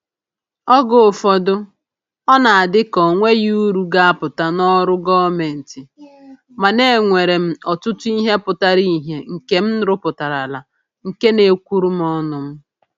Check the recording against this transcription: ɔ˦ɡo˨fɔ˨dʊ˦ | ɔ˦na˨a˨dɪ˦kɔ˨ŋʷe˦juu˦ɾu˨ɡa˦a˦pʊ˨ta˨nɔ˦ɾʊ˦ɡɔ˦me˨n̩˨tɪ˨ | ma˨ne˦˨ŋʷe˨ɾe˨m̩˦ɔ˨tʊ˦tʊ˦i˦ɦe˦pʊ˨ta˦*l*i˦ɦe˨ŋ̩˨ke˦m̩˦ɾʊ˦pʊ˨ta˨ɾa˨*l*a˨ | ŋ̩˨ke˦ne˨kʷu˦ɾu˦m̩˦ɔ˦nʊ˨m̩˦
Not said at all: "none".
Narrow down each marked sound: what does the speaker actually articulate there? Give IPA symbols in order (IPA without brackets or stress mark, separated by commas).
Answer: ɾ, l